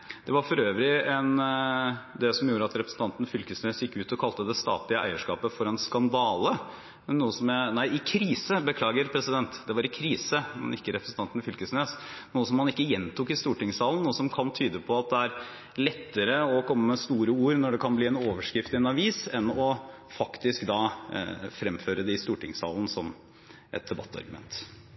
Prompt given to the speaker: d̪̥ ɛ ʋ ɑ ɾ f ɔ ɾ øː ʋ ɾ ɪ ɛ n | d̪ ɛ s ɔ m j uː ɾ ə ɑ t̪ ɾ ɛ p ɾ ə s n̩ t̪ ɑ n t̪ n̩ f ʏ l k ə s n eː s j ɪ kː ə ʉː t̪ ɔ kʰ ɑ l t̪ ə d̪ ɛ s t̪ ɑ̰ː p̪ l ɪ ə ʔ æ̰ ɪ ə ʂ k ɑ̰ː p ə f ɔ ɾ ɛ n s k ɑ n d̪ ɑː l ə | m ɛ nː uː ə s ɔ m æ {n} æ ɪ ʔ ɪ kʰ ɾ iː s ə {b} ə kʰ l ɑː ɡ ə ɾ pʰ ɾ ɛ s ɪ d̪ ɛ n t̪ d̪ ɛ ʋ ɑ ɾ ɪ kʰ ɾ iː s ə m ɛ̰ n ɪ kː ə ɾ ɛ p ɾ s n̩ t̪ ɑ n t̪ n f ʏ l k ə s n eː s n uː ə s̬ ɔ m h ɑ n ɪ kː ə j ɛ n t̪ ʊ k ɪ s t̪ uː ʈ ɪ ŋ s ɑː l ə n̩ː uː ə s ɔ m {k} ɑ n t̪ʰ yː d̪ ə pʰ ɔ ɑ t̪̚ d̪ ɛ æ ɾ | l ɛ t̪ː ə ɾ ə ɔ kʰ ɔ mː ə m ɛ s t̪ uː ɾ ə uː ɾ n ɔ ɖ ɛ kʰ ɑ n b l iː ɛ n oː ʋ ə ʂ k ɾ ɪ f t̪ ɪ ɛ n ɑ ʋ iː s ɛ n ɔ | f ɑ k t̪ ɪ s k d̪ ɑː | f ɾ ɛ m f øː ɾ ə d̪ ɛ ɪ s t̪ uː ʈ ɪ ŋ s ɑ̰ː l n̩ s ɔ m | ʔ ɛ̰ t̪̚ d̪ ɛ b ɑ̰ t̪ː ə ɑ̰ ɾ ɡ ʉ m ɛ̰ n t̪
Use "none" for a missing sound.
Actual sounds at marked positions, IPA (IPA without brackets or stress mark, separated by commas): n, b, kʰ